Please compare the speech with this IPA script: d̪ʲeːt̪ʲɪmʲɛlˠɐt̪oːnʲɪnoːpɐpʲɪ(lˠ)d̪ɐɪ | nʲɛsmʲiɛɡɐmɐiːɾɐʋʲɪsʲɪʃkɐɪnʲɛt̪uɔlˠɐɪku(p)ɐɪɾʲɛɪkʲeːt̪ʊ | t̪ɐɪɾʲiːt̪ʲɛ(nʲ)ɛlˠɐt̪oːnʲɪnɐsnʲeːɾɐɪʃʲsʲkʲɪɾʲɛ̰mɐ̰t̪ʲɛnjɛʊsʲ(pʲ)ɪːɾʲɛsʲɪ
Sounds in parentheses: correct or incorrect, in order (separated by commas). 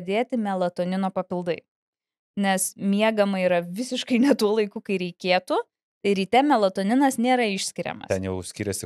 correct, incorrect, incorrect, incorrect